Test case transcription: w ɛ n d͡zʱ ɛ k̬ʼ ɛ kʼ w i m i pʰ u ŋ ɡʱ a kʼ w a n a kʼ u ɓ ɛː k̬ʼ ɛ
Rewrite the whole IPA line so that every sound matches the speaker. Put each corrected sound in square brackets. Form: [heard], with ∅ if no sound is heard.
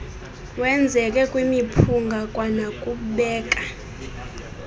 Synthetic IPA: w ɛ n d͡zʱ ɛ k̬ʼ ɛ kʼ w i m i pʰ u ŋ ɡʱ a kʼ w a n a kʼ u ɓ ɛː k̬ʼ [a]

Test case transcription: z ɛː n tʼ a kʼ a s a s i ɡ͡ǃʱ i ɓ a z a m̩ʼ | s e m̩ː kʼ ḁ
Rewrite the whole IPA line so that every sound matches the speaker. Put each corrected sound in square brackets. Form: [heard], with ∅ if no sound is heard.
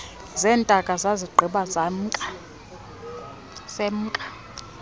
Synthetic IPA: z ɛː n tʼ a kʼ a [z] a [z] i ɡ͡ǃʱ i ɓ a z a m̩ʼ | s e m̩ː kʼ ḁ

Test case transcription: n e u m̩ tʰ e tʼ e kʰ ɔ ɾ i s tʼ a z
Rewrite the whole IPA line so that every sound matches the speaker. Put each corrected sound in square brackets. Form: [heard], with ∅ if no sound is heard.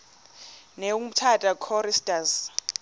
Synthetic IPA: n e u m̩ tʰ [a] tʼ [a] kʰ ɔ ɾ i s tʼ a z

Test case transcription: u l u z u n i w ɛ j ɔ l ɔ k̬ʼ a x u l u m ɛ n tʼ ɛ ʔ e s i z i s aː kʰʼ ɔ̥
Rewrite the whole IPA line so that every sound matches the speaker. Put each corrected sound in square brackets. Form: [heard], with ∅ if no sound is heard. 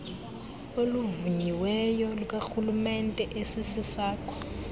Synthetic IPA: [o] l u [v] u [ɲ] i w ɛ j ɔ l [u] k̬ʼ a x u l u m ɛ n tʼ ɛ ʔ e s i [s] i s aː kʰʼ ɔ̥

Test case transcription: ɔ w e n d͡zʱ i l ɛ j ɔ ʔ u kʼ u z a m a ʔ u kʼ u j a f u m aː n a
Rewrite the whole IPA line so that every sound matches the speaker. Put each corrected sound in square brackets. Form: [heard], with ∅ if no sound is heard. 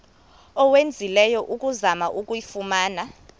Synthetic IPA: ɔ w e n d͡zʱ i l ɛ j ɔ ʔ u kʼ u z a m a ʔ u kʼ u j [i] f u m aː n a

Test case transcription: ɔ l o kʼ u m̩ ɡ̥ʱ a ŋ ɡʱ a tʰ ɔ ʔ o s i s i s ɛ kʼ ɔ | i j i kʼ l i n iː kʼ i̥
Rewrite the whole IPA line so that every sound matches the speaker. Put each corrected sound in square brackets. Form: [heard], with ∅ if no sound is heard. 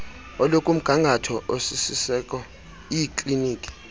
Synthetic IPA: ɔ l o kʼ u m̩ ɡ̥ʱ a ŋ ɡʱ a tʰ ɔ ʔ o s i s i s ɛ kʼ ɔ | i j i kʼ l i n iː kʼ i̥

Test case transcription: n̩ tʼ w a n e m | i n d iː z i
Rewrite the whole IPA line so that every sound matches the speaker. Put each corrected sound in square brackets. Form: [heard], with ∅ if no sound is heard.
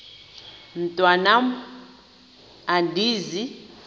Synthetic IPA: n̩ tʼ w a n [a] m | [a] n d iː z i

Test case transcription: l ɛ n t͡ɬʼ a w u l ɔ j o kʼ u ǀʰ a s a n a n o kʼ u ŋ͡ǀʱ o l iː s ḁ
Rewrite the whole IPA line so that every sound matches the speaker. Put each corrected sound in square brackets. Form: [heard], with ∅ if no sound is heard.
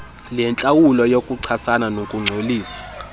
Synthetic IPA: l ɛ n t͡ɬʼ a w u l ɔ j o kʼ u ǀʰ a s a n a n o kʼ u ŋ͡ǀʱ o l iː s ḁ

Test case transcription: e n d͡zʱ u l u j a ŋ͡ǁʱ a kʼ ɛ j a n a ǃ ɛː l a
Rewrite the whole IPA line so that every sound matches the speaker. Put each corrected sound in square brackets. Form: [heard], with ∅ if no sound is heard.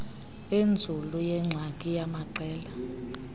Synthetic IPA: e n d͡zʱ u l u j [ɛ] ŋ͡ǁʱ a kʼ [i] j a [m] a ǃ ɛː l a

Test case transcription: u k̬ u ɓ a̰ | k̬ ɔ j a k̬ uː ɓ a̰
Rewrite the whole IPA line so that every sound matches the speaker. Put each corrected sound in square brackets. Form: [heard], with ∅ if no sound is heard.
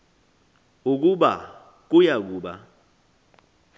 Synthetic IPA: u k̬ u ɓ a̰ | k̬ [u] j a k̬ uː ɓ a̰

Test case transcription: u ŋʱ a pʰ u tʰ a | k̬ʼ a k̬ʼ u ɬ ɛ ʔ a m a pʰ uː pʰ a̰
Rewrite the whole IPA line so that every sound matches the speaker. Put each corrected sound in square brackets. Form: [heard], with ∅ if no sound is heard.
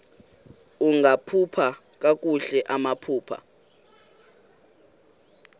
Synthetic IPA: u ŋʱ a pʰ u [pʰ] a | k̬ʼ a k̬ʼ u ɬ ɛ ʔ a m a pʰ uː pʰ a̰

